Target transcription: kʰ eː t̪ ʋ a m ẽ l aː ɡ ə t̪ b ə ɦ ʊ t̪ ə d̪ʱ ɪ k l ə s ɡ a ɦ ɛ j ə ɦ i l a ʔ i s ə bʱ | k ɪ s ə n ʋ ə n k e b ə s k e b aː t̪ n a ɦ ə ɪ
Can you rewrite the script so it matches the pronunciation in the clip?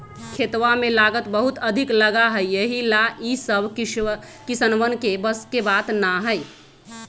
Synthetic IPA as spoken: kʰ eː t̪ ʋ a m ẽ l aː ɡ ə t̪ b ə ɦ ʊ t̪ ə d̪ʱ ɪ k l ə ɡ a ɦ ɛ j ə ɦ i l a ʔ i s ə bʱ | k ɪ s ə n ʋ ə n k e b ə s k e b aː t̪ n a ɦ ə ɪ